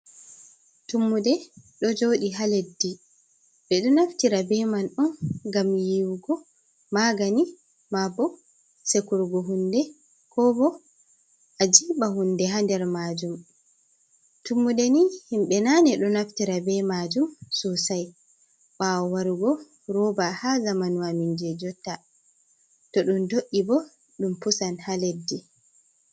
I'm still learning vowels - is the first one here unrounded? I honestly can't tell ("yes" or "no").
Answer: no